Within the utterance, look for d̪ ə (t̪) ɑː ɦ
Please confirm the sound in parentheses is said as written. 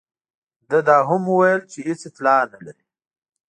no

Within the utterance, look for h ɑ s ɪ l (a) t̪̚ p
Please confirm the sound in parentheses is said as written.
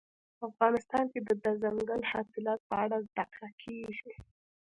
no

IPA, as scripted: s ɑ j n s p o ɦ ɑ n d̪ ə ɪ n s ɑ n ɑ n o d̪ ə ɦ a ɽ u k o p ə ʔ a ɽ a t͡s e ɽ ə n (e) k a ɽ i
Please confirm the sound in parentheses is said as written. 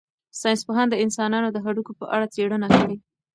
no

